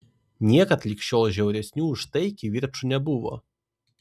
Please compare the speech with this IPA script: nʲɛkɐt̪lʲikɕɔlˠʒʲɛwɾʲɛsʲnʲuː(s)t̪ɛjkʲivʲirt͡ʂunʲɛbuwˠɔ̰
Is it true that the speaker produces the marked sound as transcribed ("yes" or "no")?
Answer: no